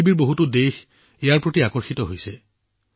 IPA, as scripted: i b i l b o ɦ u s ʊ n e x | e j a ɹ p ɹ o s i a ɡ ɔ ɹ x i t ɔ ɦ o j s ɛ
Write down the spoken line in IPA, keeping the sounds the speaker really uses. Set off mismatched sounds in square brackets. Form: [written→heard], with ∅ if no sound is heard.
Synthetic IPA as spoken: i b i [l→ɹ] b o ɦ u [s→t] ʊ [n→d] e x | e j a ɹ p ɹ o [s→t] i a [ɡ→k] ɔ ɹ x i t ɔ ɦ o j s ɛ